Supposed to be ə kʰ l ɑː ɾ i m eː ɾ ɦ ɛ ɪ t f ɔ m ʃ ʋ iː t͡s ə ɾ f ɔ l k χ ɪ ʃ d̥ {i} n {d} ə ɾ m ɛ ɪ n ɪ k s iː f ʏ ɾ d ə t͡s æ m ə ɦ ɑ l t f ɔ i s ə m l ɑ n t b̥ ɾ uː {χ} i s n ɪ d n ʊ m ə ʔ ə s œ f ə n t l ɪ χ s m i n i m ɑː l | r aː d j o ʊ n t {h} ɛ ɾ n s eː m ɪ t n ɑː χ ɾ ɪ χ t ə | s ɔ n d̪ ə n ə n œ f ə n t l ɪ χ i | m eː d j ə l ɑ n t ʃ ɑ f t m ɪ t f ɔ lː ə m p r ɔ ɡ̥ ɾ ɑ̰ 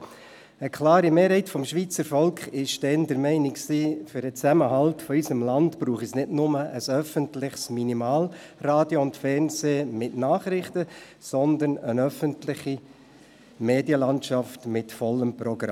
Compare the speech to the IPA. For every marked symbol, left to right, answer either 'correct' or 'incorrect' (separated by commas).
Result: incorrect, correct, correct, incorrect